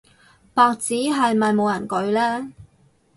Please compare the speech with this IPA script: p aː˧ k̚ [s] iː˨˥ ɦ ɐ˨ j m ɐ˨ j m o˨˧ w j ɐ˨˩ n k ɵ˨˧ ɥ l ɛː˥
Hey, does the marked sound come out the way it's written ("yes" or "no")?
no